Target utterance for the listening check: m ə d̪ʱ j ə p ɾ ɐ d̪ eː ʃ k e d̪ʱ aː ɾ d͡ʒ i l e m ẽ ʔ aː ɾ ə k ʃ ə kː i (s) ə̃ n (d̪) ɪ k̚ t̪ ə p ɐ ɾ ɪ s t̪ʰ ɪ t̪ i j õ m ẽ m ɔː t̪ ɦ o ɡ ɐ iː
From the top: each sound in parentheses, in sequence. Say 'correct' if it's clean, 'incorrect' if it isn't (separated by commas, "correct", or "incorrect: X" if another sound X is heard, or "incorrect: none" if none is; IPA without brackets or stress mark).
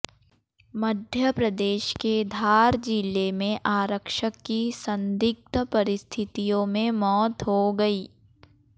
correct, correct